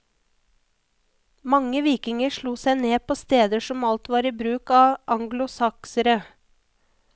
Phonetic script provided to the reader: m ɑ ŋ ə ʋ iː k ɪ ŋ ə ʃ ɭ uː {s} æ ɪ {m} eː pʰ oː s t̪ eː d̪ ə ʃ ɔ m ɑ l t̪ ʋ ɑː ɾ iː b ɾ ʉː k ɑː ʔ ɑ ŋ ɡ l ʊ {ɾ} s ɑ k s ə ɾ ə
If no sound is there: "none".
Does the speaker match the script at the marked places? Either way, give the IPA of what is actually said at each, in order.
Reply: s, n, none

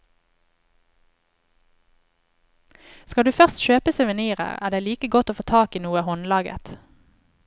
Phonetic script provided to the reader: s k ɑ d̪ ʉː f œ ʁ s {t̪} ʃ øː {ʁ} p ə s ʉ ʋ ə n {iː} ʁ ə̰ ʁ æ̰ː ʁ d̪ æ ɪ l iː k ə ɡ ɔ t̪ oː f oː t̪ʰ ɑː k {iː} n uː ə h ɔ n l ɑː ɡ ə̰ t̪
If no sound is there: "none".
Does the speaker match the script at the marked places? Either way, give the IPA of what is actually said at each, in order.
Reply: t̪, none, iː, iː

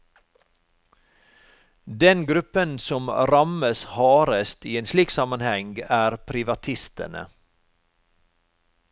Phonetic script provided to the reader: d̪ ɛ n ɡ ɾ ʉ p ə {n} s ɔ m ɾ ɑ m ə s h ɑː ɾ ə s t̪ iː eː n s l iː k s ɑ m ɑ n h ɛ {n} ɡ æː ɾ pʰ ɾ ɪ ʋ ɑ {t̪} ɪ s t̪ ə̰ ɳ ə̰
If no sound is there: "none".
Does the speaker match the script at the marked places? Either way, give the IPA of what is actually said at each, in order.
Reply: n, ŋ, t̪ʰ

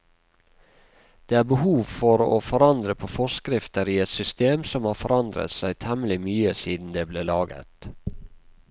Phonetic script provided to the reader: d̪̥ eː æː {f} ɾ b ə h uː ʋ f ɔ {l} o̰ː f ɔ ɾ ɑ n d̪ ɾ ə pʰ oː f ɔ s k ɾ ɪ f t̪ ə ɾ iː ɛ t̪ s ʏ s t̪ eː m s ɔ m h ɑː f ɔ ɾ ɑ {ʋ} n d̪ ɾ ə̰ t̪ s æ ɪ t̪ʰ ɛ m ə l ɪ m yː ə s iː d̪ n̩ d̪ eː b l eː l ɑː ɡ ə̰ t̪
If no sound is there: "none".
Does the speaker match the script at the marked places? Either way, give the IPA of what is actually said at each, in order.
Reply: none, ɾ, none

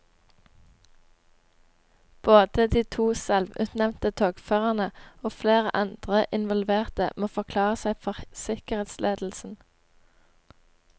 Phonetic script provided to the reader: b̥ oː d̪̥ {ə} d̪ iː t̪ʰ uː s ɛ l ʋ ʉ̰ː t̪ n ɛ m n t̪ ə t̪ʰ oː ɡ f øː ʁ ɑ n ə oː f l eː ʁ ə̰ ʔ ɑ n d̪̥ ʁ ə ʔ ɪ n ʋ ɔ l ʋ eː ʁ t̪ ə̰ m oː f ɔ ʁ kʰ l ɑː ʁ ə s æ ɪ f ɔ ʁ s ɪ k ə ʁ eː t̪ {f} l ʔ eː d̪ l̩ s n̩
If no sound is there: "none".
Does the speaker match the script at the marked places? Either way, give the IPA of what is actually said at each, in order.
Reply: ə, s

